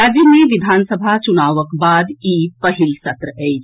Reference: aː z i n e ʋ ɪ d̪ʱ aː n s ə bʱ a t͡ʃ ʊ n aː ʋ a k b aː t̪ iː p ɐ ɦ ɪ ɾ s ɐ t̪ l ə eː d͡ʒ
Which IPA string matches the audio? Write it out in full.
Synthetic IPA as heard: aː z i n e ʋ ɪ d̪ʱ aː n s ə bʱ a t͡ʃ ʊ n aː ʋ ə k b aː d̪ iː p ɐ ɦ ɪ l s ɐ t̪ ɾ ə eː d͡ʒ